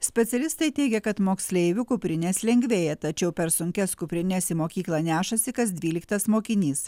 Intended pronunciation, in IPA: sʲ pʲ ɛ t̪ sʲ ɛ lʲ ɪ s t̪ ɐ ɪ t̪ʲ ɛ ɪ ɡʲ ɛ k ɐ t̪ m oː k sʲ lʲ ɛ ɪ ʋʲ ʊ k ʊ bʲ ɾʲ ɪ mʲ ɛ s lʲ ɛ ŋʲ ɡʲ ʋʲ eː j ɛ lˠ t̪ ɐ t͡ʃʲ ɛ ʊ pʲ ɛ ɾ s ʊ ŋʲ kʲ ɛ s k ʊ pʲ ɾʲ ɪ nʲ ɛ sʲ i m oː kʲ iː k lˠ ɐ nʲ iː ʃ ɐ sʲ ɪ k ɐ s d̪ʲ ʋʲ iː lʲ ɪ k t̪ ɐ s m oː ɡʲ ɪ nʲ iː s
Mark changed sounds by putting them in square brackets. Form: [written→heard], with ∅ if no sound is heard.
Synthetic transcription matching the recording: sʲ pʲ ɛ t̪ sʲ ɛ lʲ ɪ s t̪ ɐ ɪ t̪ʲ ɛ ɪ ɡʲ ɛ k ɐ t̪ m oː k sʲ lʲ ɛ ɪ ʋʲ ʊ k ʊ [bʲ→pʲ] ɾʲ ɪ [mʲ→nʲ] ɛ s lʲ ɛ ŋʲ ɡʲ ʋʲ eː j ɛ [lˠ→∅] t̪ ɐ t͡ʃʲ ɛ ʊ pʲ ɛ ɾ s ʊ ŋʲ kʲ ɛ s k ʊ pʲ ɾʲ ɪ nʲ ɛ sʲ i m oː kʲ iː k lˠ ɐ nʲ [iː→æː] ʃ ɐ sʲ ɪ k ɐ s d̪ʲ ʋʲ iː lʲ ɪ k t̪ ɐ s m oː [ɡʲ→kʲ] ɪ nʲ iː s